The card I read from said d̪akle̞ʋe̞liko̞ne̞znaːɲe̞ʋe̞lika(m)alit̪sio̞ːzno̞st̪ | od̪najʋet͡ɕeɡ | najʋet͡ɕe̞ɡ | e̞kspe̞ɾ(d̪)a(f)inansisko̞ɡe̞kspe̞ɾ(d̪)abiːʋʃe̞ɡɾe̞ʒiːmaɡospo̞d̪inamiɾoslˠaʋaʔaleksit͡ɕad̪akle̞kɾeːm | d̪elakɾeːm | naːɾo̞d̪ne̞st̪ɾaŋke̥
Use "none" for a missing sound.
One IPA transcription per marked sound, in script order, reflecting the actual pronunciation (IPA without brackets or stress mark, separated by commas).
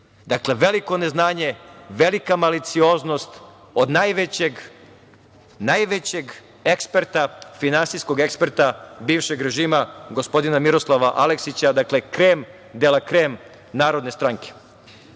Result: m, t̪, f, t̪